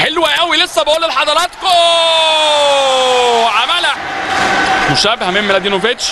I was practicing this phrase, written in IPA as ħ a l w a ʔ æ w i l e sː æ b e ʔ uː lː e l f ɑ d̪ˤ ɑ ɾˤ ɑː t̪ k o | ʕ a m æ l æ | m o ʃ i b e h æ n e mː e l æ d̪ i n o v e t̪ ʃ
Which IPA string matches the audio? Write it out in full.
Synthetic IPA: ħ e l w æ ʔ æ w i l e sː æ b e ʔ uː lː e l ħ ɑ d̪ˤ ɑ ɾˤ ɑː t̪ k o | ʕ a m æ l æ | m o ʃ æ b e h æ m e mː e l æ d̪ i n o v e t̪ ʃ